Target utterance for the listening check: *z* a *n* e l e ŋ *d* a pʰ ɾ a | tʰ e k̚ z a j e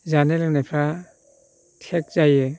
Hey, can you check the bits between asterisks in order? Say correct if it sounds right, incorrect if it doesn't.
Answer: correct, correct, incorrect

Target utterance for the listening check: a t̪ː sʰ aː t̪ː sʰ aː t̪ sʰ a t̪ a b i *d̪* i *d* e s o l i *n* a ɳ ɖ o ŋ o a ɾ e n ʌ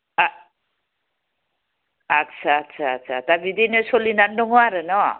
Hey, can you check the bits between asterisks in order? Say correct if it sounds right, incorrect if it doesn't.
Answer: correct, incorrect, correct

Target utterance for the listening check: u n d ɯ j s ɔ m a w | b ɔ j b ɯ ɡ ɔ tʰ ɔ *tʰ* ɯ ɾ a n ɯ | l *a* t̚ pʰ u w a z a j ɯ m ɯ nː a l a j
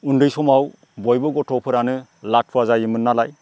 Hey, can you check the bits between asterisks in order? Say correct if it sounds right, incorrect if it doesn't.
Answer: incorrect, correct

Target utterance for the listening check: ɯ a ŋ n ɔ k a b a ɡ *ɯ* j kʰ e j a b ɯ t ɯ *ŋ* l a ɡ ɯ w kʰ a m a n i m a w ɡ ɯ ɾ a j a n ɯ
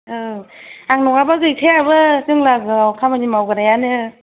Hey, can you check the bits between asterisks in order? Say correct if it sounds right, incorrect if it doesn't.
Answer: correct, correct

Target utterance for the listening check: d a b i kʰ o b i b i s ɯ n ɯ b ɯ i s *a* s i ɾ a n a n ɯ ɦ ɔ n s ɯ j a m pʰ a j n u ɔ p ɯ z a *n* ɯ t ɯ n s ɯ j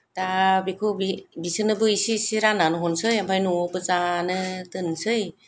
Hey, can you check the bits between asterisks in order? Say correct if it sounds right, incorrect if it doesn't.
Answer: incorrect, correct

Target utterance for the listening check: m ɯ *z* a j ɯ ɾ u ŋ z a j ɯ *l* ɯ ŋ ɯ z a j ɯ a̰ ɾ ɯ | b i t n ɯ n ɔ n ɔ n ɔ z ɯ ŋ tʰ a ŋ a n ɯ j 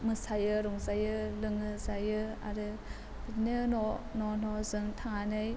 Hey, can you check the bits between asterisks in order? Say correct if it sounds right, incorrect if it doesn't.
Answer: incorrect, correct

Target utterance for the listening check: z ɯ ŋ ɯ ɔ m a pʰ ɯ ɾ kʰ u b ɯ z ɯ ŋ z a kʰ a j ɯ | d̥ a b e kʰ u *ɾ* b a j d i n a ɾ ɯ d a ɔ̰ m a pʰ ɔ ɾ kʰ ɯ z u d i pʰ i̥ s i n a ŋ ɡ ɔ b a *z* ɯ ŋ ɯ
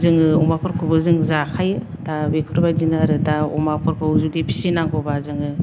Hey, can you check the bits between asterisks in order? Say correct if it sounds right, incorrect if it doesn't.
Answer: correct, correct

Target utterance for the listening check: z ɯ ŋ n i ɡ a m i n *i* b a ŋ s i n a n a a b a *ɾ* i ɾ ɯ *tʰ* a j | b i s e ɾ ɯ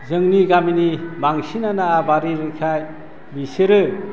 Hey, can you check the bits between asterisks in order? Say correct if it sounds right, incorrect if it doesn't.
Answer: correct, correct, incorrect

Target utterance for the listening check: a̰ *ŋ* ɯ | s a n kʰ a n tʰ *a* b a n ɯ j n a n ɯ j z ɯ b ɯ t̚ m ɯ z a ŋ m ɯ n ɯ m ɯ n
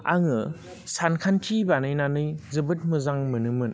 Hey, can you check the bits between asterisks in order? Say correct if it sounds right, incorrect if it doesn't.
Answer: correct, incorrect

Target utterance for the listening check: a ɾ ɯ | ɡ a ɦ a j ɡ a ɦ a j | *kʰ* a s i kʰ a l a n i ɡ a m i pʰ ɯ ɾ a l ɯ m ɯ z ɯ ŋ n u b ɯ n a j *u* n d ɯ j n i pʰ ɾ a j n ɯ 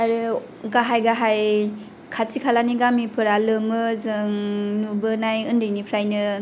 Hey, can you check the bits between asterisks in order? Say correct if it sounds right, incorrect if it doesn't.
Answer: correct, incorrect

